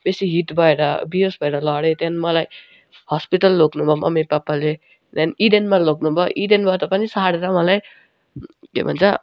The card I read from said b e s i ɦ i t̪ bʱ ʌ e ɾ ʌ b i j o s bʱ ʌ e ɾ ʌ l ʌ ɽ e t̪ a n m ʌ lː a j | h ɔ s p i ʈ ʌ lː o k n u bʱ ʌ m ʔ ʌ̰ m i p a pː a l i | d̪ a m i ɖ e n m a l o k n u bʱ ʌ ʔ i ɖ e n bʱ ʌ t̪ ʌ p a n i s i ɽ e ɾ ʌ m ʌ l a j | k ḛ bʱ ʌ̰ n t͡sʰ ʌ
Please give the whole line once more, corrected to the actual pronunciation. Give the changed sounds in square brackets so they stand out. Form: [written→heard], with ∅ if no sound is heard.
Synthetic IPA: b e s i ɦ i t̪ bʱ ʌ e ɾ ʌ b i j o s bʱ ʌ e ɾ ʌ l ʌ ɽ e t̪ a n m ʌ [lː→l] a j | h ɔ s p i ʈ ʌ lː o k n u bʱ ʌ m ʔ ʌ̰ m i p a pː a l [i→e] | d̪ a [m→n] i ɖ e n m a l o k n u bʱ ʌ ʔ i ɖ e n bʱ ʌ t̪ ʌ p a n i s [i→a] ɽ e ɾ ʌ m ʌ l a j | k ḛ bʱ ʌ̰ n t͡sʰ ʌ